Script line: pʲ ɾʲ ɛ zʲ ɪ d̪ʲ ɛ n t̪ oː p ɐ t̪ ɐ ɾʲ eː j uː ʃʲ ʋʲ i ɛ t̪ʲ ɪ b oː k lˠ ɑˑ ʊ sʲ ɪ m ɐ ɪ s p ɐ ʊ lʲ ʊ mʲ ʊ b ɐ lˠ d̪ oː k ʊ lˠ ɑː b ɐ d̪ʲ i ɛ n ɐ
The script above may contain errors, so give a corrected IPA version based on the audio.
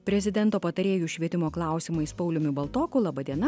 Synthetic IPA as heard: pʲ ɾʲ ɛ zʲ ɪ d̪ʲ ɛ n t̪ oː p ɐ t̪ ɐ ɾʲ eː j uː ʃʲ ʋʲ i ɛ t̪ʲ ɪ m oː k lˠ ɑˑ ʊ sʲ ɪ m ɐ ɪ s p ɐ ʊ lʲ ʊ mʲ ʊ b ɐ lˠ t̪ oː k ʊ lˠ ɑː b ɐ d̪ʲ i ɛ n ɐ